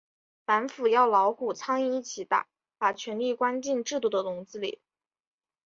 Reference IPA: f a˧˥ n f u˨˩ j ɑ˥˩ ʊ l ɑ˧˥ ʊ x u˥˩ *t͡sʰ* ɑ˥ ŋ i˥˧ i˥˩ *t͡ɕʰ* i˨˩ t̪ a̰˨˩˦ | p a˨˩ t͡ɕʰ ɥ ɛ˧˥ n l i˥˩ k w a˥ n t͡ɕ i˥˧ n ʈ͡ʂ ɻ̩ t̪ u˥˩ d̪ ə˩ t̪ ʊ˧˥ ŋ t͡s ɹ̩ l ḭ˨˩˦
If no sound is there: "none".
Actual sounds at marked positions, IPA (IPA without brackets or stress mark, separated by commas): t͡sʰ, t͡ɕʰ